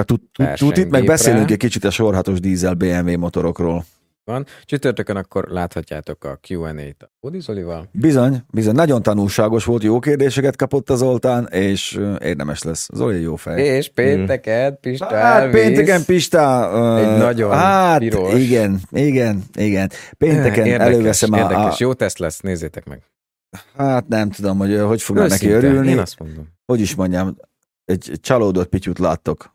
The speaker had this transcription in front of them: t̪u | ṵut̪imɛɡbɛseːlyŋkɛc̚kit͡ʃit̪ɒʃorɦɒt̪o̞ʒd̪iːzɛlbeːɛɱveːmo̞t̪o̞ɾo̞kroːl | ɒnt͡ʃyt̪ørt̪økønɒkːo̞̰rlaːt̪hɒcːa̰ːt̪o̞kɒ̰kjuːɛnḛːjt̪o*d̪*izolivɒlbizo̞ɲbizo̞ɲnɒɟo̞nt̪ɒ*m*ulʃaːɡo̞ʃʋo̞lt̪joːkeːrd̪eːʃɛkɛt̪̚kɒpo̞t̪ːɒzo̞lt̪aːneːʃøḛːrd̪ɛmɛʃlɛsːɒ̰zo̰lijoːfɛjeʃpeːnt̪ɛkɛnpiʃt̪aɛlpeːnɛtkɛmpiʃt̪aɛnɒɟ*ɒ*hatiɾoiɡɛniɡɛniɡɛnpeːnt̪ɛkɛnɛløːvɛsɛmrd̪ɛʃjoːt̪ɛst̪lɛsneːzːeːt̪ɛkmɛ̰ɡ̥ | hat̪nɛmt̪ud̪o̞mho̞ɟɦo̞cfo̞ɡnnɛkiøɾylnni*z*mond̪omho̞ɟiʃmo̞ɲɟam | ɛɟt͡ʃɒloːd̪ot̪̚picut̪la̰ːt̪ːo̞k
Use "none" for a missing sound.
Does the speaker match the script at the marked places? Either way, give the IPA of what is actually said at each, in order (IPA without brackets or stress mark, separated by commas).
d̪, n, o, s